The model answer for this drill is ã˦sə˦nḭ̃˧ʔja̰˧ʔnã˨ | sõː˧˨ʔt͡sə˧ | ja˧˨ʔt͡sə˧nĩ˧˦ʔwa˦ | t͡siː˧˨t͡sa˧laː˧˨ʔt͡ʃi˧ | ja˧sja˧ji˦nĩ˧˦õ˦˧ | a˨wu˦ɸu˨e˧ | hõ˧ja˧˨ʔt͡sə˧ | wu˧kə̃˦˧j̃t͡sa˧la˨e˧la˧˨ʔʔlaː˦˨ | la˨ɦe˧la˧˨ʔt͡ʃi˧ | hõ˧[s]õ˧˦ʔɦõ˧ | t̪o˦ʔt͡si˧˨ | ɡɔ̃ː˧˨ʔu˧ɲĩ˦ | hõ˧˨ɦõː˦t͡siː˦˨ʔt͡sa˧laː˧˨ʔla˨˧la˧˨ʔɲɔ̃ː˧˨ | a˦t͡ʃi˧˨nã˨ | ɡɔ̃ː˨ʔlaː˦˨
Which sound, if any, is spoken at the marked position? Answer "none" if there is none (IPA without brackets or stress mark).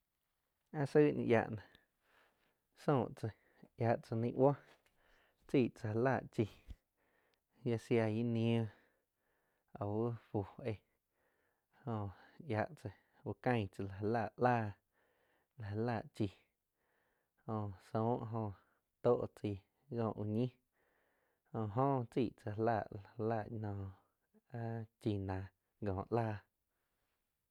s